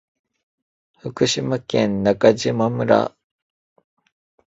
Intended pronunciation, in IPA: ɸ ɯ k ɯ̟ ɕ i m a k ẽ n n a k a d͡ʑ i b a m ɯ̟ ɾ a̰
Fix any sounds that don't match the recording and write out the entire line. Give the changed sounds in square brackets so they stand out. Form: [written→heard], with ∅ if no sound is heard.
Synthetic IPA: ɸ ɯ k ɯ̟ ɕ i m a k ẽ n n a k a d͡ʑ i [b→m] a m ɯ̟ ɾ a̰